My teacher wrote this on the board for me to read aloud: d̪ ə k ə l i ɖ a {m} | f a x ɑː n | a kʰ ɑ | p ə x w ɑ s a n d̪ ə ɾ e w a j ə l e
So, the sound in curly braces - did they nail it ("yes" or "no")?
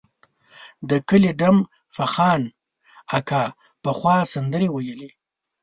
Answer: yes